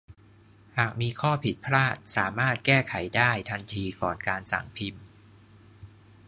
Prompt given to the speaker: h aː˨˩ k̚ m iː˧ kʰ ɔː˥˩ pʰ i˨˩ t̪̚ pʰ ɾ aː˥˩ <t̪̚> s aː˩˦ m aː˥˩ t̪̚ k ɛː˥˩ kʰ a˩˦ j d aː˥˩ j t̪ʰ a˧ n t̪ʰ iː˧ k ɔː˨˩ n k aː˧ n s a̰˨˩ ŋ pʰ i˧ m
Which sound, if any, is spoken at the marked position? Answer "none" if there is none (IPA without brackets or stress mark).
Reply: t̪̚